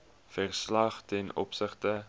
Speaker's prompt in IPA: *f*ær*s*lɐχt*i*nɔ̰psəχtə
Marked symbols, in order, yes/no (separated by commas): yes, yes, no